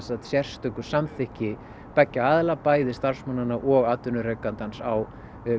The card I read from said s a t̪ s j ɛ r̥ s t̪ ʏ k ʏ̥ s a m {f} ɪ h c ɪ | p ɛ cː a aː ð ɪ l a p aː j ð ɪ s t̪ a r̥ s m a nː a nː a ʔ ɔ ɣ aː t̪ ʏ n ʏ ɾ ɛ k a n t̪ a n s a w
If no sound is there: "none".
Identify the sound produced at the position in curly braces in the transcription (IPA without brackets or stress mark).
θ